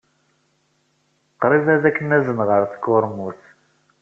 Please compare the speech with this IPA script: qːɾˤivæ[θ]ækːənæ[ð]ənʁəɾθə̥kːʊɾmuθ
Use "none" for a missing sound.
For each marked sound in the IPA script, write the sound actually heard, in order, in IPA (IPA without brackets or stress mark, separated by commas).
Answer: ð, z